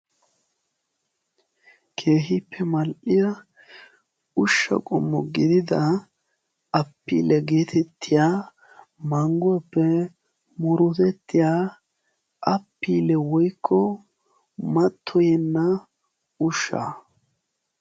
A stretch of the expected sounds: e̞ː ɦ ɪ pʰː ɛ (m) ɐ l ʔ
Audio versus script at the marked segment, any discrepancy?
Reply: no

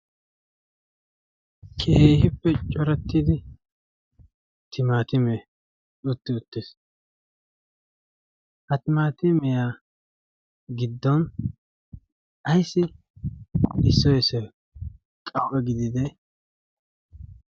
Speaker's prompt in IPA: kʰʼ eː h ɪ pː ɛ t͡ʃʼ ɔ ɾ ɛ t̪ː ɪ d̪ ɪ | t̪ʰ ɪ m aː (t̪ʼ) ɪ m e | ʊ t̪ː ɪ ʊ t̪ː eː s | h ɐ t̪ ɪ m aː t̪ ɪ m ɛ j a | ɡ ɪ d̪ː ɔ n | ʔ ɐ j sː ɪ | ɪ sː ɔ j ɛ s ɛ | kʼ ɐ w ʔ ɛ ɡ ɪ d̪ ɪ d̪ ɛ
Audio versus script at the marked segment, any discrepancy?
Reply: yes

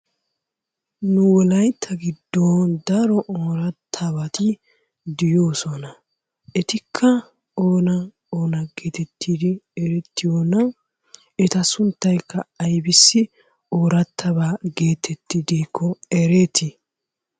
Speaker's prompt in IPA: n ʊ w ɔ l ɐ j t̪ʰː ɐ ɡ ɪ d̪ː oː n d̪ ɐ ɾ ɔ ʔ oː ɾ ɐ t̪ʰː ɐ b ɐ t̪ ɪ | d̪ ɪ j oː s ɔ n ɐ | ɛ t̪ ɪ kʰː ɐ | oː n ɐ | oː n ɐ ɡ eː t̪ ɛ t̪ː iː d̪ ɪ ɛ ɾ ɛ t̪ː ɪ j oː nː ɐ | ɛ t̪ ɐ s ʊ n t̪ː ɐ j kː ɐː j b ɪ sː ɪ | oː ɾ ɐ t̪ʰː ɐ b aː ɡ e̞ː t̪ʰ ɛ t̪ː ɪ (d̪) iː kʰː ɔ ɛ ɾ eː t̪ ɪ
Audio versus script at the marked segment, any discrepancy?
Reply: no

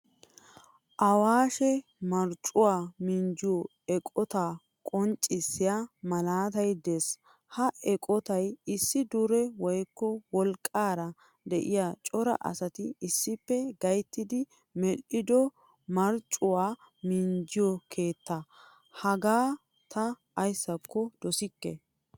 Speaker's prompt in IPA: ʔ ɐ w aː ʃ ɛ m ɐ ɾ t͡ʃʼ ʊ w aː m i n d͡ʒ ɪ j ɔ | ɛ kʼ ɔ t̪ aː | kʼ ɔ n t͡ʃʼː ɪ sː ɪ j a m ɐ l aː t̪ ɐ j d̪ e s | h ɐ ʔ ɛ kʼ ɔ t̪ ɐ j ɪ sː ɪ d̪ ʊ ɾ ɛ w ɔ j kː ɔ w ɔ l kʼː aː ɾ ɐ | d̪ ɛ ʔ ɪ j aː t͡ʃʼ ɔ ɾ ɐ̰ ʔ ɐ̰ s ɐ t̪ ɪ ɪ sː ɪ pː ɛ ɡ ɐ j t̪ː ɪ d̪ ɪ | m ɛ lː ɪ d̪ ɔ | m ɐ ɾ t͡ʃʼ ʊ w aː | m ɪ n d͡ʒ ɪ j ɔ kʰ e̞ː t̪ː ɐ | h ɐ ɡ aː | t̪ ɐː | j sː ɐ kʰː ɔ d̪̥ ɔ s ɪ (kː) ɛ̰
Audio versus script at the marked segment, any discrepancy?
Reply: no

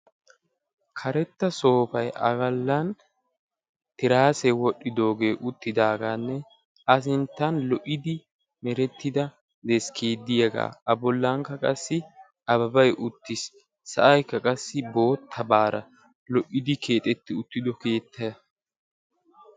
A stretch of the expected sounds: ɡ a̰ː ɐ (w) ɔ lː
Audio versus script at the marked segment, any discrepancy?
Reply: yes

